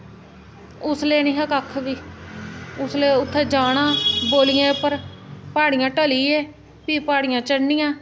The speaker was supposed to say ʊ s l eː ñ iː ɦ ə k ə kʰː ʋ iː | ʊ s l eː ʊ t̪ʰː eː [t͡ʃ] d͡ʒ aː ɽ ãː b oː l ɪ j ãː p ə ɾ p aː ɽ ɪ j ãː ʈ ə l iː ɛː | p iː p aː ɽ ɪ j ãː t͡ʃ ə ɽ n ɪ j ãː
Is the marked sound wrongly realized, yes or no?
yes